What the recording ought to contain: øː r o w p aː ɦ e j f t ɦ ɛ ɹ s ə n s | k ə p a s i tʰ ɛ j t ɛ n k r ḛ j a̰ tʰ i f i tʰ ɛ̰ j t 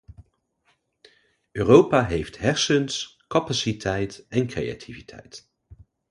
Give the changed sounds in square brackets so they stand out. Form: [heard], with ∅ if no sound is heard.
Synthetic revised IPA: øː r o w p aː ɦ e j f t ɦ ɛ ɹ s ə n s | k [ɑ] p a s i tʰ ɛ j t ɛ n k r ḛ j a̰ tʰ i [v] i tʰ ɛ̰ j t